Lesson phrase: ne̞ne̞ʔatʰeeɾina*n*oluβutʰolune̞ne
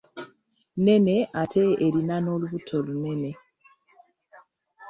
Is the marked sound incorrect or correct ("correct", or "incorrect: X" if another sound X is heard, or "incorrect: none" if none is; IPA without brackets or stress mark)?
correct